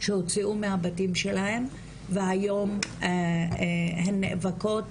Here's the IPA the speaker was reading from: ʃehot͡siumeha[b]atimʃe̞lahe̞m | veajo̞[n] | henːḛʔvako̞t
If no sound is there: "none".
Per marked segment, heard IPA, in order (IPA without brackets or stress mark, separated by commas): b, m